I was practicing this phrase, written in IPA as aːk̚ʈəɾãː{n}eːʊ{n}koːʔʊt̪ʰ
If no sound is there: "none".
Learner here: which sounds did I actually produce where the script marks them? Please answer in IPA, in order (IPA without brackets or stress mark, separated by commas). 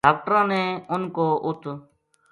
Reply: n, n